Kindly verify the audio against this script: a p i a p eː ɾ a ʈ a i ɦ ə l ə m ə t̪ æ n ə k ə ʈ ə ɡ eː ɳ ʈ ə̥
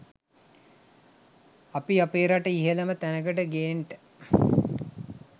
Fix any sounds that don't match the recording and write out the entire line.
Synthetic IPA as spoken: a p i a p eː ɾ a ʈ ə i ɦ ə l ə m ə t̪ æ n ə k ə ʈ ə ɡ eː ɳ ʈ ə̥